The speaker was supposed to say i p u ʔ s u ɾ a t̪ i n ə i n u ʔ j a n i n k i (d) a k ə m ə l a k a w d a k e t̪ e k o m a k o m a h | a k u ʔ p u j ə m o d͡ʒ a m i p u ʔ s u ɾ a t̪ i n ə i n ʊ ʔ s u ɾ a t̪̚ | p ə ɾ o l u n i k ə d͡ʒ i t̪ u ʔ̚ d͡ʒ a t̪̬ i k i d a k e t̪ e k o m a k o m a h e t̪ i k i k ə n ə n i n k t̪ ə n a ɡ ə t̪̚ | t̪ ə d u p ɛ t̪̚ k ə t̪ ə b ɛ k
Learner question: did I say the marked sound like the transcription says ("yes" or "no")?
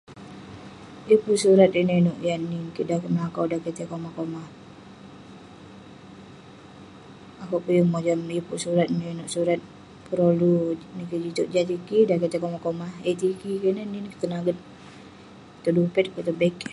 yes